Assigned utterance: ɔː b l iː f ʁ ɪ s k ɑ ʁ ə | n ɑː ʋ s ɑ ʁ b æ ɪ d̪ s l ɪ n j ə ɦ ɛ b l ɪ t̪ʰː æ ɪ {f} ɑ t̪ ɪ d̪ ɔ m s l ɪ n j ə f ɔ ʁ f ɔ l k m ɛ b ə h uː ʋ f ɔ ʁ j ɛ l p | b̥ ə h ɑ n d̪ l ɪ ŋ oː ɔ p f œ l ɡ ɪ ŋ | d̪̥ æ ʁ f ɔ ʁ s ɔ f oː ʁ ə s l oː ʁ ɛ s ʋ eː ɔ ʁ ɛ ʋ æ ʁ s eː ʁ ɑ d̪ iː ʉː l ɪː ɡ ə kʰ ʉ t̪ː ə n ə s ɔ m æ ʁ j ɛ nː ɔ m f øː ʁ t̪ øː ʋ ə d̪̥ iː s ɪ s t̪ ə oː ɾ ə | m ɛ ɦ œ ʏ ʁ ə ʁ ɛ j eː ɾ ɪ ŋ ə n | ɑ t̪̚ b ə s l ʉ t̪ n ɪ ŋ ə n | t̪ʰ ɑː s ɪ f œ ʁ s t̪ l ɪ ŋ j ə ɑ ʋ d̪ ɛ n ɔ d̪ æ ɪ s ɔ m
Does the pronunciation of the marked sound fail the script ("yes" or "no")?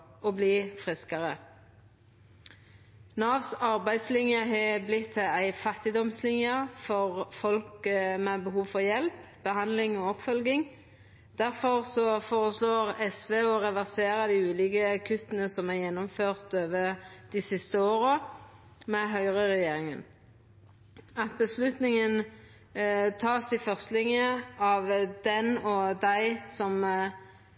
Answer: no